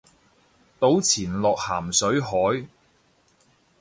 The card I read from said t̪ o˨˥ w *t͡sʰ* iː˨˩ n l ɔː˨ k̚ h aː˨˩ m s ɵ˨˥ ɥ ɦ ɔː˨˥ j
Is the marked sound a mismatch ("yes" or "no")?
no